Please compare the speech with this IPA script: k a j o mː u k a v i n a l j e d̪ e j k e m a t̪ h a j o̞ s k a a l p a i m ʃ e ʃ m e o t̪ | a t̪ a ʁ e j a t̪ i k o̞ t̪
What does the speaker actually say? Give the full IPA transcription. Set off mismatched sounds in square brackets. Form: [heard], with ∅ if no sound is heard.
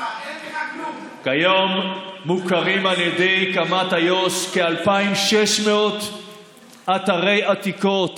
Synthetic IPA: k a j o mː u k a [ʁ] i [m] a l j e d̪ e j k [a] m a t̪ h a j o̞ s k [e] a l p a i m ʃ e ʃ m e o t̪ | a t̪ a ʁ e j a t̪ i k o̞ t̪